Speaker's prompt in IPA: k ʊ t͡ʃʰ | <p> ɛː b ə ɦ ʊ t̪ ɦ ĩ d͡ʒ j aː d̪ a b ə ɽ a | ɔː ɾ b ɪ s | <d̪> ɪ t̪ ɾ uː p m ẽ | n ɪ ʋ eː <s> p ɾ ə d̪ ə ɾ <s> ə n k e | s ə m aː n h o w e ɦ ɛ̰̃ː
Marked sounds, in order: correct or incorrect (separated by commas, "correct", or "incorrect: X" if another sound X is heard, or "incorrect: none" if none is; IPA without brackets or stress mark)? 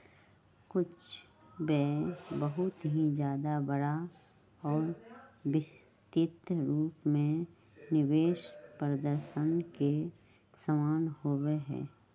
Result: incorrect: b, incorrect: t̪, incorrect: ʃ, incorrect: ʃ